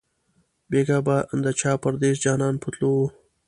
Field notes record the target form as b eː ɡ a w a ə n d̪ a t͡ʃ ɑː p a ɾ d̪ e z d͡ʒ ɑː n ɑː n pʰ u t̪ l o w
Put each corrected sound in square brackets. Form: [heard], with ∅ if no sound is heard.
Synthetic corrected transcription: b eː ɡ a [b] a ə n d̪ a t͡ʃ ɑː p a ɾ d̪ e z d͡ʒ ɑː n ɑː n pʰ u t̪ l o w